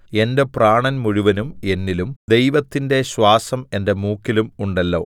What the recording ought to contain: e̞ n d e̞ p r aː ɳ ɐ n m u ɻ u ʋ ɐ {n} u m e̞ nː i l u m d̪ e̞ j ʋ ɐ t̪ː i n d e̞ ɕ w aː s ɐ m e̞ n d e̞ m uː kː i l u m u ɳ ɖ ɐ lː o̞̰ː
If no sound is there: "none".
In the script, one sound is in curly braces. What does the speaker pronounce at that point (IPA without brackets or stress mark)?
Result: n